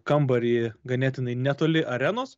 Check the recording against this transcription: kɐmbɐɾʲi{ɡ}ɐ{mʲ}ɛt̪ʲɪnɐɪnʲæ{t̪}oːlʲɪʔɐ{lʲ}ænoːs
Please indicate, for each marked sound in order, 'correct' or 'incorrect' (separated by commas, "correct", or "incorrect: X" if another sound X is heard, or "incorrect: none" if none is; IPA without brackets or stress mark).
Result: correct, incorrect: nʲ, correct, incorrect: ɾʲ